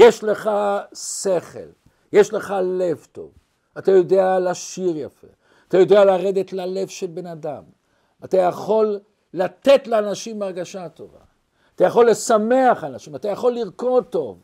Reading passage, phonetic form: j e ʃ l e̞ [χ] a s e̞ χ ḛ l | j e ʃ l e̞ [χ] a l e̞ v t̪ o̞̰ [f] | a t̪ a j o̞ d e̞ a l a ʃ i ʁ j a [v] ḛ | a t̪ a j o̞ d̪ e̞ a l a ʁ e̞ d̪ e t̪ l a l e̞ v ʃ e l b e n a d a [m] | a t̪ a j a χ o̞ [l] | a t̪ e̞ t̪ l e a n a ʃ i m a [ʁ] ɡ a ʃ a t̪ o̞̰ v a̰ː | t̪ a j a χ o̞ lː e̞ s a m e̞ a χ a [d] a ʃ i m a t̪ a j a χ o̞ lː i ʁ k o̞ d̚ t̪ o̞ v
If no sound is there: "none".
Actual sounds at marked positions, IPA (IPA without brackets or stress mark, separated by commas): χ, χ, v, f, m, lː, ʁ, n